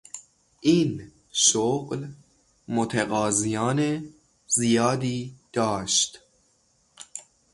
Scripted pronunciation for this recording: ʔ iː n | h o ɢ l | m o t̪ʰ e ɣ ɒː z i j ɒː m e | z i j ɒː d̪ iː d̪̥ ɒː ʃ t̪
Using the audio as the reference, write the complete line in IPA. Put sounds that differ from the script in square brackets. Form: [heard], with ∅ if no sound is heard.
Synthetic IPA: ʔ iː n | [ʃ] o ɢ l | m o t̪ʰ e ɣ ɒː z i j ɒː [n] e | z i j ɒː d̪ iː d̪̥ ɒː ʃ t̪